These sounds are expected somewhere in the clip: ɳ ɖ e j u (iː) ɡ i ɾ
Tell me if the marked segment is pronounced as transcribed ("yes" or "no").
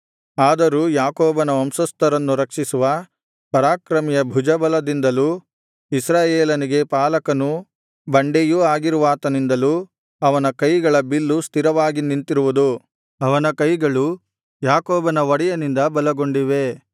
no